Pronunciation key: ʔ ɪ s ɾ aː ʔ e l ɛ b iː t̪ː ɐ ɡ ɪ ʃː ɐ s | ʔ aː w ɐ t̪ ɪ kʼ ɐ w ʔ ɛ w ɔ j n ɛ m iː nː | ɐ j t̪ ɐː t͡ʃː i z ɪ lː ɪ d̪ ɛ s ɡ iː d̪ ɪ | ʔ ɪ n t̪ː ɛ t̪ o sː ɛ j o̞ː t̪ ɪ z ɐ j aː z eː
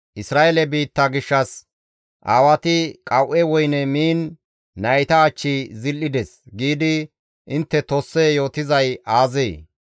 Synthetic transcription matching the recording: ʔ ɪ s ɾ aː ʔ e l ɛ b iː t̪ː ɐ ɡ ɪ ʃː ɐ s | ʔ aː w ɐ t̪ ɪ kʼ ɐ w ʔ ɛ w ɔ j n ɛ m iː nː | ɐ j t̪ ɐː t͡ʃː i z ɪ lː ɪ d̪ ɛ s ɡ iː d̪ ɪ | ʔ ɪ n t̪ː ɛ t̪ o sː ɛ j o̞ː t̪ ɪ z ɐ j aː z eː